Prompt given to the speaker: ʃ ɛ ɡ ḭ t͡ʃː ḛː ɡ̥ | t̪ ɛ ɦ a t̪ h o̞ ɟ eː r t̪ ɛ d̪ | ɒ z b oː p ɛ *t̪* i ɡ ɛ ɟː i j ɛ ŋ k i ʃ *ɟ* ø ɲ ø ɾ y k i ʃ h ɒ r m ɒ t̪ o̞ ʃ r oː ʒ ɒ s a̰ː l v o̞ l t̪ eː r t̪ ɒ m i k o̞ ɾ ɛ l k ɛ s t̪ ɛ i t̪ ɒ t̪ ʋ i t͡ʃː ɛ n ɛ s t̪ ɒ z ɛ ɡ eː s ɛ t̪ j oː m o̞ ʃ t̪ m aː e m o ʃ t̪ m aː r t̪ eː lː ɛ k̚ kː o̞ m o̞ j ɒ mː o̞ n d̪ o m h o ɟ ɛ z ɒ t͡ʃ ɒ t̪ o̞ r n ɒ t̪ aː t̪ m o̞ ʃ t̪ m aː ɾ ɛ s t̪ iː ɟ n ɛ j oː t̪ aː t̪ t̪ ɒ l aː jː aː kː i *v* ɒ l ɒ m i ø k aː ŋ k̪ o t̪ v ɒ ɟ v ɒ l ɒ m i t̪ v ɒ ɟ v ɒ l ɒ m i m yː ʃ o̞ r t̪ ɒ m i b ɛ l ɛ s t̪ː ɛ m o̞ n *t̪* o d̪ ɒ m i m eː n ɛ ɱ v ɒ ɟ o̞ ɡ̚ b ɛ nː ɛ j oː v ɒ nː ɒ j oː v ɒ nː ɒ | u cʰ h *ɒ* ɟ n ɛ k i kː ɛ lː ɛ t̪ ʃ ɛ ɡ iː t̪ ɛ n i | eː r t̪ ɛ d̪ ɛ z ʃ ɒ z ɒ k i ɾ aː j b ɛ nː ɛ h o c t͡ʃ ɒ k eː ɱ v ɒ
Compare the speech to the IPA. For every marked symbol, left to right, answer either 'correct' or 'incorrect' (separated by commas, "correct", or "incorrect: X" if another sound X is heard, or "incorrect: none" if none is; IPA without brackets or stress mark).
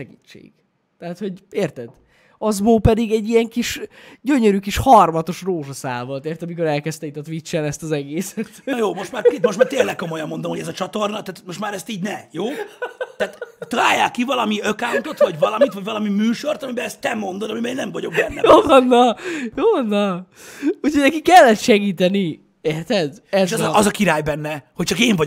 incorrect: d̪, correct, correct, incorrect: d̪, incorrect: o